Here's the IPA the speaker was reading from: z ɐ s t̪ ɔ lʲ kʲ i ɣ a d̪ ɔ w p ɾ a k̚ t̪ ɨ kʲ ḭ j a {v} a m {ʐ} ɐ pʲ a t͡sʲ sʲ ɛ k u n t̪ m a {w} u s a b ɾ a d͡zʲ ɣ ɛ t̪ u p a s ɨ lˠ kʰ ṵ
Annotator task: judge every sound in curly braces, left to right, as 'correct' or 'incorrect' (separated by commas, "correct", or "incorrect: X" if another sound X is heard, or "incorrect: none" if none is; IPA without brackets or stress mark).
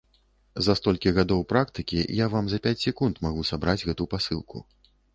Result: correct, incorrect: z, incorrect: ɣ